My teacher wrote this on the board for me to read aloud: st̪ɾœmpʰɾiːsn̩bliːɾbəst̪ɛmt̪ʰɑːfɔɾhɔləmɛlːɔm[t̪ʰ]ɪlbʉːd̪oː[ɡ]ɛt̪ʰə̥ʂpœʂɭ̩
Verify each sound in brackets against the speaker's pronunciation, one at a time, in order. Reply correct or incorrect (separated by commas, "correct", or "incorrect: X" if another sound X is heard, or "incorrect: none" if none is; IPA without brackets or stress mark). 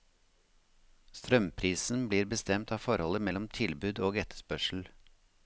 correct, correct